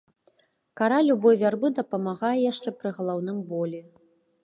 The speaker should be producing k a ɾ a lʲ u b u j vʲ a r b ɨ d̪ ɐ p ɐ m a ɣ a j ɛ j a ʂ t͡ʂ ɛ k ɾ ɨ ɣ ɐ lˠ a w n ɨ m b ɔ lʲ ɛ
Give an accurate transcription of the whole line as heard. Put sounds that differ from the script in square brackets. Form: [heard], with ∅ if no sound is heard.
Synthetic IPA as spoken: k a ɾ a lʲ u b [ɔ] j vʲ a r b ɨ d̪ ɐ p ɐ m a ɣ a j ɛ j a ʂ t͡ʂ ɛ [p] ɾ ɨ ɣ ɐ lˠ a w n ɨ m b ɔ lʲ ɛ